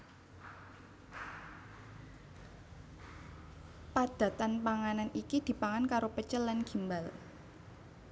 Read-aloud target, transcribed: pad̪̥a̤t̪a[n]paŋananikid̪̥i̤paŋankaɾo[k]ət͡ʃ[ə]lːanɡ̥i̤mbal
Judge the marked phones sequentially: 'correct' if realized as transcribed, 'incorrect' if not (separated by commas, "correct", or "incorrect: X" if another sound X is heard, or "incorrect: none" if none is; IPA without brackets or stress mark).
correct, incorrect: p, correct